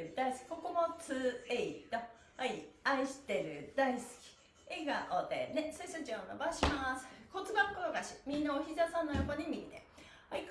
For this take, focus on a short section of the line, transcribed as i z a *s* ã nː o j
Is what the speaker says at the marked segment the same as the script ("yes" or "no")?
yes